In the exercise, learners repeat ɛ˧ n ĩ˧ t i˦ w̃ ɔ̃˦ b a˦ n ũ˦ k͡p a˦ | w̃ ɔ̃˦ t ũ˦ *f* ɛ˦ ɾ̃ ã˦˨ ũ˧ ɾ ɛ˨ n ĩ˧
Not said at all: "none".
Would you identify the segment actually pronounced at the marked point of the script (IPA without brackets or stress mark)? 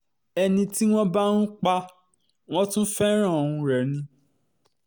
f